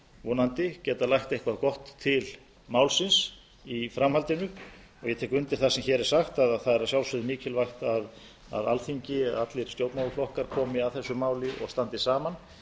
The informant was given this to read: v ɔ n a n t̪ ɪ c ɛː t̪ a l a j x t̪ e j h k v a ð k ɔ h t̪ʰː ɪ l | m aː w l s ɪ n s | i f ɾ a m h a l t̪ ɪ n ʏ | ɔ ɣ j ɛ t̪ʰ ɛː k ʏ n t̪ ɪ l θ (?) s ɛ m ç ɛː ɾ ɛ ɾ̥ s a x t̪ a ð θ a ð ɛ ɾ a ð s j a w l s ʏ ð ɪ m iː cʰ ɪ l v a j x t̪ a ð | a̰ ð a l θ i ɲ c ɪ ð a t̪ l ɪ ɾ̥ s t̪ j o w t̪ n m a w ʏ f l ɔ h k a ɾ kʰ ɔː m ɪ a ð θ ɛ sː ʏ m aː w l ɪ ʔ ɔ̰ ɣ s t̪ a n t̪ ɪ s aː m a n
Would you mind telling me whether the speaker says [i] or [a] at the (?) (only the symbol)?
a